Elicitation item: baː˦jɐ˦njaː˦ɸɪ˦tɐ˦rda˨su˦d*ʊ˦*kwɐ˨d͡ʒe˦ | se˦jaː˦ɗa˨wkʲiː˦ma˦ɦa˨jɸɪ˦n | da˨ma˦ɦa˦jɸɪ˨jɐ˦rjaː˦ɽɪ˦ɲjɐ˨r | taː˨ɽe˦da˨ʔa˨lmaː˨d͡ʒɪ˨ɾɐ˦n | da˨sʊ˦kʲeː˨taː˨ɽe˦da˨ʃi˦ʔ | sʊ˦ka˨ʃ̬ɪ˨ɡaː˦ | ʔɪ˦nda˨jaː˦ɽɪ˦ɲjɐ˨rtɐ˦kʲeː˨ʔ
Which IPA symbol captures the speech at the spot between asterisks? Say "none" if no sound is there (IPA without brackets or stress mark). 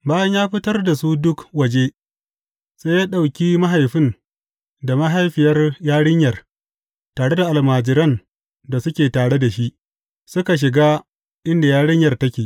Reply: ʊ˦